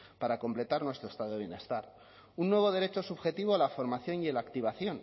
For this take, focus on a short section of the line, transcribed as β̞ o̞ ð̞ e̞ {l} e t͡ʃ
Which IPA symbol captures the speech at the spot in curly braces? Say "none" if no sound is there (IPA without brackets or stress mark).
ɾ